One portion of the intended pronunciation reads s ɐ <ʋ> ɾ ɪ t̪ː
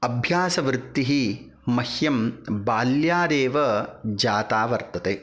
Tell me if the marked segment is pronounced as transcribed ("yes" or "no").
yes